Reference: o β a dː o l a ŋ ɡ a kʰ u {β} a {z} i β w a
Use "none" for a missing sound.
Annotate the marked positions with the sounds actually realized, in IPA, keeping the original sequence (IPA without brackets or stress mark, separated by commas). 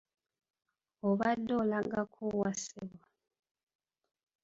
w, s